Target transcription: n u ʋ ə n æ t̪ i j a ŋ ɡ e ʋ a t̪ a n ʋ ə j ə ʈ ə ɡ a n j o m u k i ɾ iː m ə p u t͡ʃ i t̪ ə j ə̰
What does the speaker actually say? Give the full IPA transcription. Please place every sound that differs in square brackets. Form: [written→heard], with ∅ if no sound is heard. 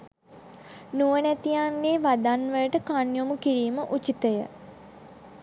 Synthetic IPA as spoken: n u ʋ ə n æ t̪ i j a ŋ ɡ e ʋ a [t̪→d̪] a n ʋ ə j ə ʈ ə [ɡ→k] a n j o m u k i ɾ iː m ə [p→ʔ] u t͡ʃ i t̪ ə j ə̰